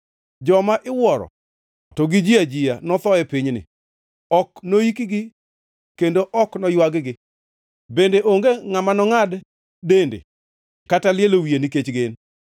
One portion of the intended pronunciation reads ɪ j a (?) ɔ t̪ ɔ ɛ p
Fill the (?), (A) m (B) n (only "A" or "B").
B